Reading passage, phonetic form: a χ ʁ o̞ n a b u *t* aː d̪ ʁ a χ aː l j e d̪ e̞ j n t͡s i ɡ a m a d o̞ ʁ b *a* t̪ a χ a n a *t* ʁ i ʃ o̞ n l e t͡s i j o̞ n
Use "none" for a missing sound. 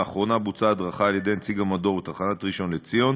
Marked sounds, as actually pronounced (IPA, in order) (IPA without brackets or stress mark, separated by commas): t͡s, e, t